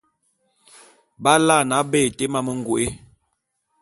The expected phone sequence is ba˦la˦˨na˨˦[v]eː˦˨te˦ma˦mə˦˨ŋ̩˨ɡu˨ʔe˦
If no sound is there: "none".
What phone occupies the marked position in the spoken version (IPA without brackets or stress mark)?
b